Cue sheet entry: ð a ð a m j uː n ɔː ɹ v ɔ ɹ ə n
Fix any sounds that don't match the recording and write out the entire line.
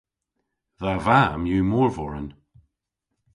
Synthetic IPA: ð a v a m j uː m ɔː ɹ v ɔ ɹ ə n